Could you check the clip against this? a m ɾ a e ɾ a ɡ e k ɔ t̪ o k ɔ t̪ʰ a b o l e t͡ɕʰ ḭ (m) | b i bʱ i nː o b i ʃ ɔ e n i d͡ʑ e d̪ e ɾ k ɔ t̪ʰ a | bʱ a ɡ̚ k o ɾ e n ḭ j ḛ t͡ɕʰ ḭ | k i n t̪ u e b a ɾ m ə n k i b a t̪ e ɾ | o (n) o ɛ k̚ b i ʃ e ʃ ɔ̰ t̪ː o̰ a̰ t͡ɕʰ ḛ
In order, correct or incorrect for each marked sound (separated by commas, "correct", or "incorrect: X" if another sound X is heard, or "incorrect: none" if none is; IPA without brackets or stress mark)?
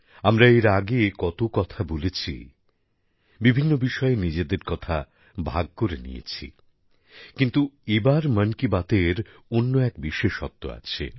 incorrect: none, incorrect: nː